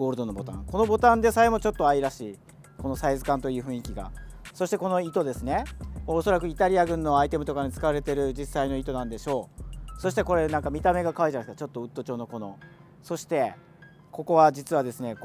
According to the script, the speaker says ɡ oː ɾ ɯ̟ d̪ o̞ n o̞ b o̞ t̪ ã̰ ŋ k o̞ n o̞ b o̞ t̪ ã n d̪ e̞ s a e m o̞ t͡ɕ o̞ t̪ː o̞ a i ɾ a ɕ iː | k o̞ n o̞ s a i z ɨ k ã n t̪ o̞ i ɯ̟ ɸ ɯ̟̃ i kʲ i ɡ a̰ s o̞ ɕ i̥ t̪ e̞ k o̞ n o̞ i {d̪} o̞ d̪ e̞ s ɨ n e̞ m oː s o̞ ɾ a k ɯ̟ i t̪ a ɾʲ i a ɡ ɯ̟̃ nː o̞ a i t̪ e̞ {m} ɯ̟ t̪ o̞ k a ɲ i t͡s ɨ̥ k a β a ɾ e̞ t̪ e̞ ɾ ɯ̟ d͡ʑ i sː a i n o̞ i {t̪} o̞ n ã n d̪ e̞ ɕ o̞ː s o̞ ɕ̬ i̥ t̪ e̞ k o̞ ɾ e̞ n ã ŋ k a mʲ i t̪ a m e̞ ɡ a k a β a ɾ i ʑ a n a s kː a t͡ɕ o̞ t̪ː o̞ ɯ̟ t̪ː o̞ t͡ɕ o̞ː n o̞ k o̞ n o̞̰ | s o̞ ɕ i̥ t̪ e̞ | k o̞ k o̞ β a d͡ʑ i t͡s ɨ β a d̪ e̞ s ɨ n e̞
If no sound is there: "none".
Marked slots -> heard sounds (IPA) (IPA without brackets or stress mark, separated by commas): t̪, m, t̪